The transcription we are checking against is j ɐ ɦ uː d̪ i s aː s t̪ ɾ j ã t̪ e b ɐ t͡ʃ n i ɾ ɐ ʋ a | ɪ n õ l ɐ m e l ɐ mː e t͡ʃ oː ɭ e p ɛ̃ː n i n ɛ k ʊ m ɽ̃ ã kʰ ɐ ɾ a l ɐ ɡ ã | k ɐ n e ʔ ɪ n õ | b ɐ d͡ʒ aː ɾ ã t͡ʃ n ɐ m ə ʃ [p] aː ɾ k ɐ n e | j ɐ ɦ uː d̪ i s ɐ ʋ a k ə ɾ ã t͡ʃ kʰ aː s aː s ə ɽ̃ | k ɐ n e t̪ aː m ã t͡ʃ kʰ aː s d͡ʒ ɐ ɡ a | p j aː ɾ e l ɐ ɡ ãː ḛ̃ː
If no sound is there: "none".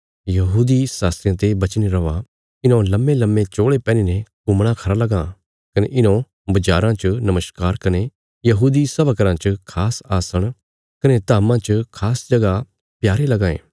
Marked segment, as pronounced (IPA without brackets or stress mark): k